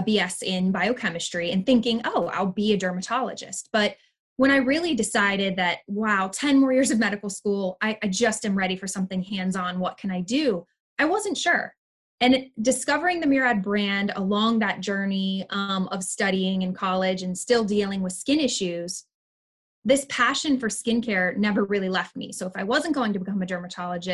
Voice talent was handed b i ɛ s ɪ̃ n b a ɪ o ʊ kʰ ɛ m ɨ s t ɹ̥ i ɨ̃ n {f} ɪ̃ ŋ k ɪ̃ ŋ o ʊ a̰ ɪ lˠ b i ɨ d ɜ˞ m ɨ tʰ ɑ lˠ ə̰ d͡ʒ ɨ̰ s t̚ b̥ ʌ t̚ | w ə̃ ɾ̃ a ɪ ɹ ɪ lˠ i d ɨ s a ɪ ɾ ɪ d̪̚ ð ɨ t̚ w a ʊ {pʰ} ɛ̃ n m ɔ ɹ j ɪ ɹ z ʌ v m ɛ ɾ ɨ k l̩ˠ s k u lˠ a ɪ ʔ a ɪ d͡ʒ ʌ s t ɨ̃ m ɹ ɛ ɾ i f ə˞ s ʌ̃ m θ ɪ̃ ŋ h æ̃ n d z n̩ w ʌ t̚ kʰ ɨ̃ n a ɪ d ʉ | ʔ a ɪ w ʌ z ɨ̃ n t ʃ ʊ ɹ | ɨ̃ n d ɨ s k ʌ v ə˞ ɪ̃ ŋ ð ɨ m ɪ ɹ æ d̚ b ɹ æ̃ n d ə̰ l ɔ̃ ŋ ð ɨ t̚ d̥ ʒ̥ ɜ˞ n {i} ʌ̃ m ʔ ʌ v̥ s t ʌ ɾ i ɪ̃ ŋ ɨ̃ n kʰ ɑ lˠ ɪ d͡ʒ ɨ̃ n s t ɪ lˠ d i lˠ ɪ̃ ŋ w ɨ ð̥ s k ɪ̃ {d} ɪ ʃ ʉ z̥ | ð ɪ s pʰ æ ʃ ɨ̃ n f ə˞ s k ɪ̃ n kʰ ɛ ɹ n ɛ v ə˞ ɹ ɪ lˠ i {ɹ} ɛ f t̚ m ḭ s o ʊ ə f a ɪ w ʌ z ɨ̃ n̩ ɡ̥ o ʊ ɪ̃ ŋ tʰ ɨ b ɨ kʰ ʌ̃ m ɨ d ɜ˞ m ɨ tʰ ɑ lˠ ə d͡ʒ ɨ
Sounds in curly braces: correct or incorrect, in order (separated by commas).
incorrect, incorrect, correct, incorrect, incorrect